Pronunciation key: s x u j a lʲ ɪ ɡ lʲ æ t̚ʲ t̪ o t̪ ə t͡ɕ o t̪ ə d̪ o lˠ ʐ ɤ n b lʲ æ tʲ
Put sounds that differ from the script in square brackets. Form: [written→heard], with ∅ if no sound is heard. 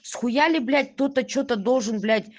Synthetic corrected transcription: s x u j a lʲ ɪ [ɡ→b] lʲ æ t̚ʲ t̪ o t̪ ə t͡ɕ o t̪ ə d̪ o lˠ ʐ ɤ n b lʲ æ tʲ